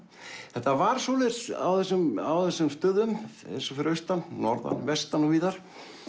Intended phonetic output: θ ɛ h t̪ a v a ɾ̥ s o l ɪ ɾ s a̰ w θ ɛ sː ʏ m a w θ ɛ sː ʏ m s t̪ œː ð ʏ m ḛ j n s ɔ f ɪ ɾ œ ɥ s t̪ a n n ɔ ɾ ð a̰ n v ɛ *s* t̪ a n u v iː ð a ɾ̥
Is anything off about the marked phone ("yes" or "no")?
no